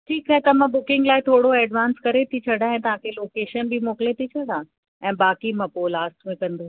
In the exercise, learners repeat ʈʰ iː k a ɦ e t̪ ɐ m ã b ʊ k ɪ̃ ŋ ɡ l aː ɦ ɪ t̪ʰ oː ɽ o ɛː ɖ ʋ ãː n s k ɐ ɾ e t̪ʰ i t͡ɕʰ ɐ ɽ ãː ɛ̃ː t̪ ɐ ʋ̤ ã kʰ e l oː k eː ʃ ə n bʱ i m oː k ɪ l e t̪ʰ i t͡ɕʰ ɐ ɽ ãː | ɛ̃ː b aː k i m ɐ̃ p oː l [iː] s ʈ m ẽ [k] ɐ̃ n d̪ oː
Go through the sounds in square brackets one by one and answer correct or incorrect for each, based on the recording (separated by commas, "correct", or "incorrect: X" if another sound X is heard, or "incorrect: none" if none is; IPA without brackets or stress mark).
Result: incorrect: aː, correct